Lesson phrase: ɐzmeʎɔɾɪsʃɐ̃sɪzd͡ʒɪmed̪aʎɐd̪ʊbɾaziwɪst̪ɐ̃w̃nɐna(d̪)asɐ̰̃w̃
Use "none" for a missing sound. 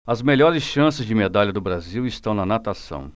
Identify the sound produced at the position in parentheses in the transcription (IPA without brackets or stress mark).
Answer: t̪